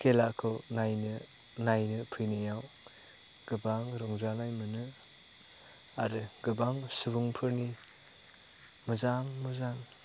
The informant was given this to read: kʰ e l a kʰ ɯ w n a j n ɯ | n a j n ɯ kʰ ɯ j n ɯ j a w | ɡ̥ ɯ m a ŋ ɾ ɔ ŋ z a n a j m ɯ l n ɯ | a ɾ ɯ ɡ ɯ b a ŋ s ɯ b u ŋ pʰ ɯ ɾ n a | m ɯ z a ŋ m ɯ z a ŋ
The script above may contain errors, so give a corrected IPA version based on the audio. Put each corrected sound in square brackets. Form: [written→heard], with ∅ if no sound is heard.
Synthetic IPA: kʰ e l a kʰ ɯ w n a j n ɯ | n a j n ɯ [kʰ→pʰ] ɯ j n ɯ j a w | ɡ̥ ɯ [m→b] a ŋ ɾ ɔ ŋ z a n a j m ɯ [l→∅] n ɯ | a ɾ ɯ ɡ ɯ b a ŋ s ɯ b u ŋ pʰ ɯ ɾ n [a→i] | m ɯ z a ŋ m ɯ z a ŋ